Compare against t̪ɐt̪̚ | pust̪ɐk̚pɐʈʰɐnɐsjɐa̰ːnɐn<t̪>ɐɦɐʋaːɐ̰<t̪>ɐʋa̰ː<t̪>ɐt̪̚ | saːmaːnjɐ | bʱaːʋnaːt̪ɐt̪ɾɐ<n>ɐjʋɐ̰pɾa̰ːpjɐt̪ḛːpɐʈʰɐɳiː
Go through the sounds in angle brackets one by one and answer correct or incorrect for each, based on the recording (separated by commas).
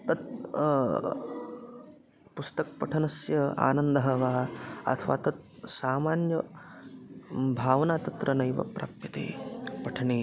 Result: incorrect, incorrect, correct, correct